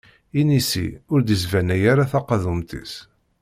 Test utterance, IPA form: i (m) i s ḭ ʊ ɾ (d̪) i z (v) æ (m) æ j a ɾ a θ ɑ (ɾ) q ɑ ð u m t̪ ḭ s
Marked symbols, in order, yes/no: no, yes, yes, no, no

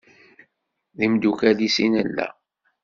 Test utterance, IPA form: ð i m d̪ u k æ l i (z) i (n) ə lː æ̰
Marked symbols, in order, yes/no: no, yes

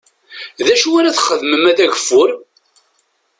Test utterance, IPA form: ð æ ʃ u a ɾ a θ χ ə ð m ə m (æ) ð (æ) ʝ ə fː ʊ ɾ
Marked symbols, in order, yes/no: yes, yes

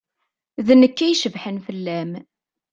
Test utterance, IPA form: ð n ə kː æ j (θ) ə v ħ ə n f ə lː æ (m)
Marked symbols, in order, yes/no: no, yes

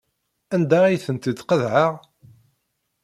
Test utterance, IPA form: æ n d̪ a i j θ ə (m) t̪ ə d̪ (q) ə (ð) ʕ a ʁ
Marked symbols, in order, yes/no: no, yes, yes

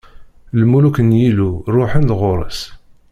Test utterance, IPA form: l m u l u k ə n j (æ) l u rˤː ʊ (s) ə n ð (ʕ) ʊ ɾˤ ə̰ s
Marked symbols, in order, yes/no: no, no, no

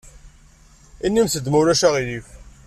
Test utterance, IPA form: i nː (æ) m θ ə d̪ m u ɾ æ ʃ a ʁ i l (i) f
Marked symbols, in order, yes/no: no, yes

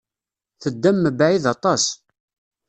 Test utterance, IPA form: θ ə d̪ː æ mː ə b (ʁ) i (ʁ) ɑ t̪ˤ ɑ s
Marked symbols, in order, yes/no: no, no

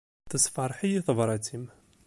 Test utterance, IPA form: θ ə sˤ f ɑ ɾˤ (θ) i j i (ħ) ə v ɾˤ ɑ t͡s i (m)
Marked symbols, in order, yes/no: no, no, yes

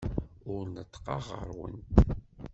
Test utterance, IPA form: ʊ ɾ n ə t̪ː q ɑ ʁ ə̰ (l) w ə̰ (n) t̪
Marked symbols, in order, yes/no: no, yes

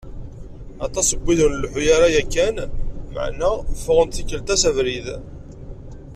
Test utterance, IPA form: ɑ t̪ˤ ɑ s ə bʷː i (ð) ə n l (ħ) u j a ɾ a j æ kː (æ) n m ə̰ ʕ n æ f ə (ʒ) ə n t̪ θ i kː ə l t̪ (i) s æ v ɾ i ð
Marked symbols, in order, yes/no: yes, yes, yes, no, no

